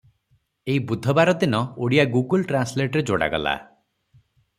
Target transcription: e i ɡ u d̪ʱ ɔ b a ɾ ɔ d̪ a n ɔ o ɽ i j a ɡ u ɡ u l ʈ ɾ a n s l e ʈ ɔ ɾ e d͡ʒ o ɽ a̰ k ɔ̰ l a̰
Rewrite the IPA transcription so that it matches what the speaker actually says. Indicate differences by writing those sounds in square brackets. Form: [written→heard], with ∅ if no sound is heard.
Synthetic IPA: e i [ɡ→b] u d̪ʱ ɔ b a ɾ ɔ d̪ [a→i] n ɔ o ɽ i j a ɡ u ɡ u l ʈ ɾ a n s l e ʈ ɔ ɾ e d͡ʒ o ɽ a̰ [k→ɡ] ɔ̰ l a̰